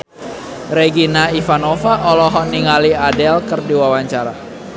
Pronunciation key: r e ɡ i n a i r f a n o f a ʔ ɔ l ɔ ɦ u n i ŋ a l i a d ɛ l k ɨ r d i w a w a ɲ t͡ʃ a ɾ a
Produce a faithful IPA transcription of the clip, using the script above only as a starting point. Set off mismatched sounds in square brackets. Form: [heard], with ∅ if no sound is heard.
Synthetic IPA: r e ɡ i n a i [∅] f a n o f a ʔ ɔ l ɔ ɦ [ɔ] n i ŋ a l i a d ɛ l k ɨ r d i w a w a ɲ t͡ʃ a ɾ a